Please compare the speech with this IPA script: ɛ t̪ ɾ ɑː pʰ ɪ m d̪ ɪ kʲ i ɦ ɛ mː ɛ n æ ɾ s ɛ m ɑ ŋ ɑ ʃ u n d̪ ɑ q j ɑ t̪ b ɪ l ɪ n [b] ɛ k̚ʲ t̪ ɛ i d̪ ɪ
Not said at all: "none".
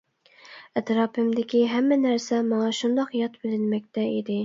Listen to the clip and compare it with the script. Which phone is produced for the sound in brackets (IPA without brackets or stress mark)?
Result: m